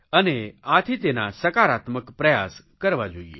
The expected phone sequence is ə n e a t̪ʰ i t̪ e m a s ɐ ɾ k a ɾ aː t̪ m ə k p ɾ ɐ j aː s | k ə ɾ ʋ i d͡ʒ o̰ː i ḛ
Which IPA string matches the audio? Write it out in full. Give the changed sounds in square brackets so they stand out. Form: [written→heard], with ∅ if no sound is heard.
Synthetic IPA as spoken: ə n e a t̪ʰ i t̪ e [m→n] a s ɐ [ɾ→∅] k a ɾ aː t̪ m ə k p ɾ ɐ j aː s | k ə ɾ ʋ [i→a] d͡ʒ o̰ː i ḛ